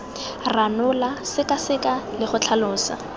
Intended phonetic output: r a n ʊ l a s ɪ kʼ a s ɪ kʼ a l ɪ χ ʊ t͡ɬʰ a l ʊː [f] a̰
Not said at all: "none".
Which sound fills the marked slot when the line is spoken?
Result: s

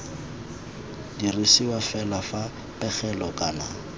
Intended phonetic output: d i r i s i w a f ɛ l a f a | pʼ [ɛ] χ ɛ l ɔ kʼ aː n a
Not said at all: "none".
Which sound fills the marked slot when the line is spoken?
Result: ɛ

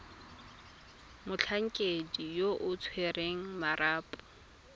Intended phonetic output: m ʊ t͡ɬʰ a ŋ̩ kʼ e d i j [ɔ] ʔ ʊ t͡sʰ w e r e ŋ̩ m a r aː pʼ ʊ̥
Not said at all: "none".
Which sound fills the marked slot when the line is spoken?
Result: o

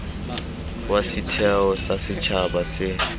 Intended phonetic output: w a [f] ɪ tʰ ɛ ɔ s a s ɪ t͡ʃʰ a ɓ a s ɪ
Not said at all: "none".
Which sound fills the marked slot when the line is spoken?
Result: s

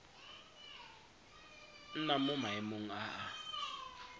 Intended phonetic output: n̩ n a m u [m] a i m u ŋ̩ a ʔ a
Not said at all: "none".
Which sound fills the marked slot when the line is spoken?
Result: m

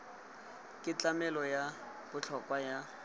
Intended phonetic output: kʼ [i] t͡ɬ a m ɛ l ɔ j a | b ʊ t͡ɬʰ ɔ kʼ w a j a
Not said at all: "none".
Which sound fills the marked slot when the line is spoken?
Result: ɪ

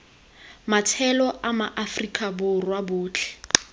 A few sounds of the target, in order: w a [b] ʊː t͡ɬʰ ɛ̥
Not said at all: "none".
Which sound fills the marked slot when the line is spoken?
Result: b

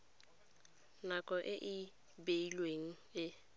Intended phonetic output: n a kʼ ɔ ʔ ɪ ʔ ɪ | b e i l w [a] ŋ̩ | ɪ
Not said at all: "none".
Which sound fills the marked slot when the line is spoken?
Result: e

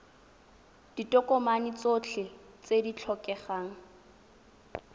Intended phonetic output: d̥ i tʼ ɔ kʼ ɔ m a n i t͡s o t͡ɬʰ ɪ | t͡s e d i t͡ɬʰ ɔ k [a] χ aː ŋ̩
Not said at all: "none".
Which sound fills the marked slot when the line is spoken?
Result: ɛ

